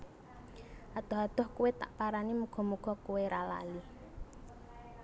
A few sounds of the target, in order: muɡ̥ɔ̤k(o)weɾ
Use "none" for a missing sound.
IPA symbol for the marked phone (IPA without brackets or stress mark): u